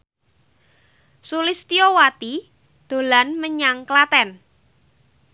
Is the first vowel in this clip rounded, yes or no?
yes